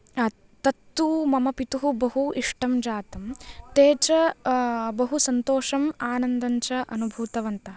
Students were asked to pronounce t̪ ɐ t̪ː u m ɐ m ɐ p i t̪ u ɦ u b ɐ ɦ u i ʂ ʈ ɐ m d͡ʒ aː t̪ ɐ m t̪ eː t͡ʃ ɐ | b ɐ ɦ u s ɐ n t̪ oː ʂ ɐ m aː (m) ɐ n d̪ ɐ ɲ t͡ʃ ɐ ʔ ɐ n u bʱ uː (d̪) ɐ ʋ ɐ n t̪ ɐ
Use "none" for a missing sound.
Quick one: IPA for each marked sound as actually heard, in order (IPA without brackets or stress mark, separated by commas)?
n, t̪